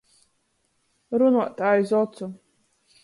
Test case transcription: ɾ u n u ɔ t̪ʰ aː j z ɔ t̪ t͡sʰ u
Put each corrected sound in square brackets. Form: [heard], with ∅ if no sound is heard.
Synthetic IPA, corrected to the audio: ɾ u n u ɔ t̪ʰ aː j z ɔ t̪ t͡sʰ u